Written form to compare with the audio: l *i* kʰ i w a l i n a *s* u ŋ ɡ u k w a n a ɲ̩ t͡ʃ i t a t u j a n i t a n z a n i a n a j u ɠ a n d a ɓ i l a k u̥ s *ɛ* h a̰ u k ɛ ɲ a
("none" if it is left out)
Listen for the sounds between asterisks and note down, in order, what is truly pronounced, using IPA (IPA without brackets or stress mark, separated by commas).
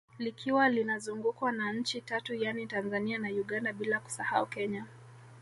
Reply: i, z, a